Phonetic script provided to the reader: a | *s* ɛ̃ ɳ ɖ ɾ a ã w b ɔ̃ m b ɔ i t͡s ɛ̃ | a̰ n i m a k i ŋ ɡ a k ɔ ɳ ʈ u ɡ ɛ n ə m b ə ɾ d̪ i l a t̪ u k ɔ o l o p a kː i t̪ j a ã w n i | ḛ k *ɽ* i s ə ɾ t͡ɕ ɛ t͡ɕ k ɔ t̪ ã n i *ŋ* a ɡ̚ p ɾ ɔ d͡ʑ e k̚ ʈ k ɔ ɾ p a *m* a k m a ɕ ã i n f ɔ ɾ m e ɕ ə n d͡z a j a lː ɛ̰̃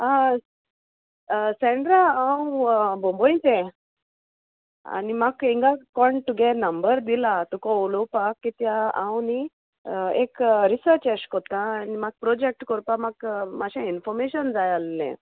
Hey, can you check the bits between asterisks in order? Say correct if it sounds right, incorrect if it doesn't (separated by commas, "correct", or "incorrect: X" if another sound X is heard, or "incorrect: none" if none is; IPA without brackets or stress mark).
correct, incorrect: ɾ, incorrect: m, correct